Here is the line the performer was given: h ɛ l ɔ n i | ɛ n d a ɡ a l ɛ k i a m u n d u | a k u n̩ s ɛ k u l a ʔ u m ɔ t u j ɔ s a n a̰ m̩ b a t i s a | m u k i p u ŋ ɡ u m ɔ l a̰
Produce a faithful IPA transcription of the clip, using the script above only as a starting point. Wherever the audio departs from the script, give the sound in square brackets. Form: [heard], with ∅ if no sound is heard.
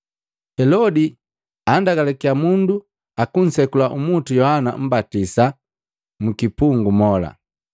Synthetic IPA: h ɛ l ɔ [d] i | [a] n d a ɡ a l ɛ k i a m u n d u | a k u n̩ s ɛ k u l a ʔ u m [u] t u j ɔ [h] a n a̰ m̩ b a t i s a | m u k i p u ŋ ɡ u m ɔ l a̰

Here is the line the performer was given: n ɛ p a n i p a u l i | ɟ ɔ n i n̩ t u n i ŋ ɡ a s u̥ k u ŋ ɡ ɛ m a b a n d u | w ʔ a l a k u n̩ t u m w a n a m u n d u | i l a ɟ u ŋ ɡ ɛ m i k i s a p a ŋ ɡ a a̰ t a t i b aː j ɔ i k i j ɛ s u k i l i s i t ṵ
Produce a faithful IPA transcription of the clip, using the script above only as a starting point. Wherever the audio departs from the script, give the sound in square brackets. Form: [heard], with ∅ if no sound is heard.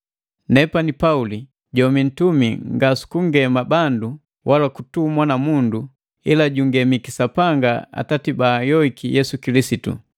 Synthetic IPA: n ɛ p a n i p a u l i | ɟ ɔ [m] i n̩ t u [m] i ŋ ɡ a s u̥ k u ŋ ɡ ɛ m a b a n d u | w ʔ a l a k u [∅] t u m w a n a m u n d u | i l a ɟ u ŋ ɡ ɛ m i k i s a p a ŋ ɡ a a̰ t a t i b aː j ɔ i k i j ɛ s u k i l i s i t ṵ

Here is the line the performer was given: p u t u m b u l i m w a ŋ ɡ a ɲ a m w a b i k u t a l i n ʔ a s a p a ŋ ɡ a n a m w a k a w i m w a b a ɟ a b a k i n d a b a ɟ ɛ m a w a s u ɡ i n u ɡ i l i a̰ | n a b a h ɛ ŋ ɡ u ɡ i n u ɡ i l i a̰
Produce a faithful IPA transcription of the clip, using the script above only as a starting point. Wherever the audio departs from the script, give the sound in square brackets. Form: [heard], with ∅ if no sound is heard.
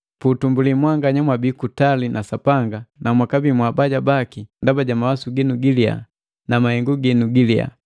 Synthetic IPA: p u t u m b u l i m w a ŋ ɡ a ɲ a m w a b i k u t a l i n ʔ a s a p a ŋ ɡ a n a m w a k a [b] i m w a b a ɟ a b a k i n d a b a ɟ [a] m a w a s u ɡ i n u ɡ i l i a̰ | n a [m] a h ɛ ŋ ɡ u ɡ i n u ɡ i l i a̰

